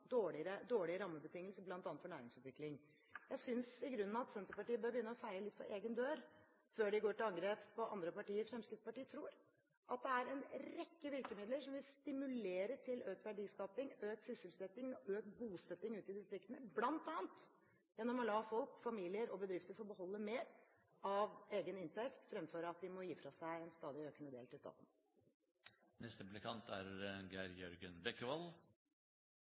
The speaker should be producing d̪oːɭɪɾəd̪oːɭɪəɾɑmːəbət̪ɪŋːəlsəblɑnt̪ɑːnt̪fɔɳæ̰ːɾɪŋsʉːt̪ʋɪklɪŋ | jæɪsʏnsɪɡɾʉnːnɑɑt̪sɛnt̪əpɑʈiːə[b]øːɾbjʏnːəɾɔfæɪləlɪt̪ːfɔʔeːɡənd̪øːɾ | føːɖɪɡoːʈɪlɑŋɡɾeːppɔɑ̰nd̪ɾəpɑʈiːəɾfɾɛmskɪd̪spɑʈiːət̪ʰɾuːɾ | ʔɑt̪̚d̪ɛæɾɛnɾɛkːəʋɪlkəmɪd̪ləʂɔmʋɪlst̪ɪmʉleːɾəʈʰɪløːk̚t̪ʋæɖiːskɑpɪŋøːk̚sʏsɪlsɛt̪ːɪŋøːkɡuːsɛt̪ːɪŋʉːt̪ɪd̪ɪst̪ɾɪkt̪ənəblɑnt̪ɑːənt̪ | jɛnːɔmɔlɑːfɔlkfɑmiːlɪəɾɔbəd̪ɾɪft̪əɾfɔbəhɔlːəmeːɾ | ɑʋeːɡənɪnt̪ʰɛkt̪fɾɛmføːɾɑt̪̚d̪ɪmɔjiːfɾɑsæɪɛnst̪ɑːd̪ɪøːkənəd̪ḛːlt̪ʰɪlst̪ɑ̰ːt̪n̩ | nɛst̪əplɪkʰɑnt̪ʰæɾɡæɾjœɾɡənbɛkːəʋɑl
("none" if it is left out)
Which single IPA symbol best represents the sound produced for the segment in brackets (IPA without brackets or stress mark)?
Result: b